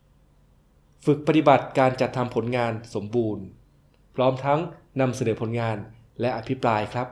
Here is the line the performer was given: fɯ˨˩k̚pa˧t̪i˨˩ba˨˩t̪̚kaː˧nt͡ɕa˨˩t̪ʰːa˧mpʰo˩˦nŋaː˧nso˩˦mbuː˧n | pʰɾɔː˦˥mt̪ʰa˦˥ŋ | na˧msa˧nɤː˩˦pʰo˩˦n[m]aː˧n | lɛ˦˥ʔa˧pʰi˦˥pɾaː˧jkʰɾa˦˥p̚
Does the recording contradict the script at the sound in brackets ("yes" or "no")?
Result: yes